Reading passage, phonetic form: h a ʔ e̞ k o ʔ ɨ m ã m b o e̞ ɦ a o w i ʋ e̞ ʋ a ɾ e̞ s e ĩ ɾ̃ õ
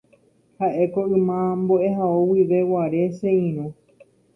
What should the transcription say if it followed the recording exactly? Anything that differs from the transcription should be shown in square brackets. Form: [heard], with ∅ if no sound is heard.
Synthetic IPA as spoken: h a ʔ e̞ k o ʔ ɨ m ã m b o e̞ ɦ a o w i ʋ e̞ [w] a ɾ e̞ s e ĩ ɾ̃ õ